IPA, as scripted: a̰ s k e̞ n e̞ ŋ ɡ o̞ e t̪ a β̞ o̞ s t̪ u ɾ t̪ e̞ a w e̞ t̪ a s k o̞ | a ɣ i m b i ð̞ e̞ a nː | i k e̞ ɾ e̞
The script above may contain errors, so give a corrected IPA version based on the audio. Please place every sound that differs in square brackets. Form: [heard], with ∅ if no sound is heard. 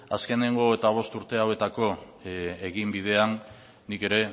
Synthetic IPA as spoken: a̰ s k e̞ n e̞ ŋ ɡ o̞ e t̪ a β̞ o̞ s t̪ u ɾ t̪ e̞ a w e̞ t̪ a [∅] k o̞ | [e] ɣ i m b i ð̞ e̞ a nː | i k e̞ ɾ e̞

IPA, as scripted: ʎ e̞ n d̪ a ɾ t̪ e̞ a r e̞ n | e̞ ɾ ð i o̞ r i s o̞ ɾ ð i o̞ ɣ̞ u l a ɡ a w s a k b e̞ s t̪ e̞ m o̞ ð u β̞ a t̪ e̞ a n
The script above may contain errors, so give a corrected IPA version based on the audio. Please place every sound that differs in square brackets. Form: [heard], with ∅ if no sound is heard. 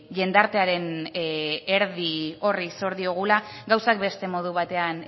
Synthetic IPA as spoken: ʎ e̞ n d̪ a ɾ t̪ e̞ a [ɾ] e̞ n | e̞ ɾ ð i o̞ r i s o̞ ɾ ð i o̞ ɣ̞ u l a ɡ a w s a k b e̞ s t̪ e̞ m o̞ ð u β̞ a t̪ e̞ a n

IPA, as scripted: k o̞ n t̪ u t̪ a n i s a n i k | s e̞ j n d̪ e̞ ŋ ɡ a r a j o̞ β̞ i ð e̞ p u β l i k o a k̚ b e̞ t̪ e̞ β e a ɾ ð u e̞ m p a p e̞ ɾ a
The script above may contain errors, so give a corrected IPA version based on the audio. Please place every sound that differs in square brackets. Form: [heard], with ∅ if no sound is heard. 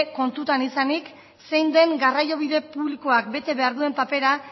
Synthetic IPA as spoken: k o̞ n t̪ u t̪ a n i s a n i k | s e̞ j n d̪ e̞ ŋ ɡ a r a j o̞ β̞ i ð e̞ p u β l i k o a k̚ b e̞ t̪ e̞ β e a ɾ ð u e̞ m p a p e̞ ɾ a

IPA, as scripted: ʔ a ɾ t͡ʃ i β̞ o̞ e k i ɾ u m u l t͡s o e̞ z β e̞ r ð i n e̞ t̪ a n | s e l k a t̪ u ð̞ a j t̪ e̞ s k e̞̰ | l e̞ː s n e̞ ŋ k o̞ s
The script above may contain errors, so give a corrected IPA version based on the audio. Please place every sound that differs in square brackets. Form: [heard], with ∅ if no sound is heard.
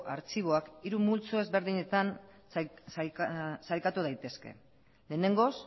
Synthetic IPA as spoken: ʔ a ɾ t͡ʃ i β̞ o̞ [a] k i ɾ u m u l t͡s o e̞ z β e̞ [ɾ] ð i [ɲ] e̞ t̪ a n | s [a] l k a t̪ u ð̞ a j t̪ e̞ s k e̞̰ | l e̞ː [∅] n e̞ ŋ [ɡ] o̞ s

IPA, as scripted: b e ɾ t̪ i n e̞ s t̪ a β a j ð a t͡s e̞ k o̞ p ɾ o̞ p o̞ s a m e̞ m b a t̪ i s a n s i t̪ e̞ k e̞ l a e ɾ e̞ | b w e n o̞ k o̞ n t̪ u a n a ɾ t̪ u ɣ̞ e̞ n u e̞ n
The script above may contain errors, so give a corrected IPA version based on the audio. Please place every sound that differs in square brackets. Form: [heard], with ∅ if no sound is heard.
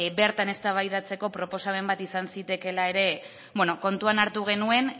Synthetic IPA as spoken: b e ɾ t̪ [a] n e̞ s t̪ a β a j ð a t͡s e̞ k o̞ p ɾ o̞ p o̞ s a m e̞ m b a t̪ i s a n s i t̪ e̞ k e̞ l a e ɾ e̞ | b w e n o̞ k o̞ n t̪ u a n a ɾ t̪ u ɣ̞ e̞ n u e̞ n

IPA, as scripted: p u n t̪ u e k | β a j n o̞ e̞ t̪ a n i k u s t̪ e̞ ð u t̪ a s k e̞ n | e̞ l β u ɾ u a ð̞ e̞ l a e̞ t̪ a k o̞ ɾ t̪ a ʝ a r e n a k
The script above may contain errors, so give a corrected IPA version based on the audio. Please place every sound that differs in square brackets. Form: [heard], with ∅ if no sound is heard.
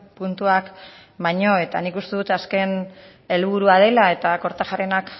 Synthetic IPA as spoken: p u n t̪ u [a] k | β a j [ɲ] o̞ e̞ t̪ a n i k u s t̪ e̞ ð u t̪ a s k e̞ n | e̞ l β u ɾ u a ð̞ e̞ l a e̞ t̪ a k o̞ ɾ t̪ a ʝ a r e n a k

